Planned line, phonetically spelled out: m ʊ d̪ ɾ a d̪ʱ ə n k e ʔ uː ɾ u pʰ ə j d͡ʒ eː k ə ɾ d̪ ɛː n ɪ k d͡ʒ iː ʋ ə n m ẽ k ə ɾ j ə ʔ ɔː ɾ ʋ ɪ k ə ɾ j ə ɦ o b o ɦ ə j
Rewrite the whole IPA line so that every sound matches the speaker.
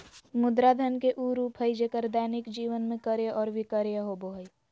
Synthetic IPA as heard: m ʊ d̪ ɾ a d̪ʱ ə n k e ʔ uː ɾ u pʰ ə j d͡ʒ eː k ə ɾ d̪ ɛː n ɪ k d͡ʒ iː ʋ ə n m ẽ k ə ɾ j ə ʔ ɔː ɾ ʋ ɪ k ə ɾ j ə ɦ o b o ɦ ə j